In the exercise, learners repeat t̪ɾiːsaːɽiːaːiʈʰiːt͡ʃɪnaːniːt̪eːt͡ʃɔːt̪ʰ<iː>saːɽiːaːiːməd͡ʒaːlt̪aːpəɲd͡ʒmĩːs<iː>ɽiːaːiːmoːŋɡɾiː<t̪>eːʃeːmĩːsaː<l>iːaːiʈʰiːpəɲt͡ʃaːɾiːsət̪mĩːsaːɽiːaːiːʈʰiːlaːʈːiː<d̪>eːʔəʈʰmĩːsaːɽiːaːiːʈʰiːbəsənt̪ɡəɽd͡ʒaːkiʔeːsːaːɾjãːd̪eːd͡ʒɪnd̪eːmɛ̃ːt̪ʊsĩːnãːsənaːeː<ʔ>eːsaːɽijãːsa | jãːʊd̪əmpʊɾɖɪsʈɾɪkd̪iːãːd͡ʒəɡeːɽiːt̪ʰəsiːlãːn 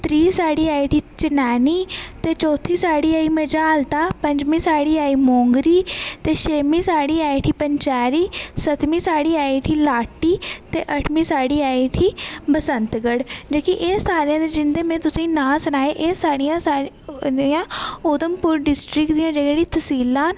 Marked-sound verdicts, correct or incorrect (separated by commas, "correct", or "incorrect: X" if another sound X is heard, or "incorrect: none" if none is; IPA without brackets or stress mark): correct, incorrect: aː, correct, incorrect: ɽ, incorrect: t̪, correct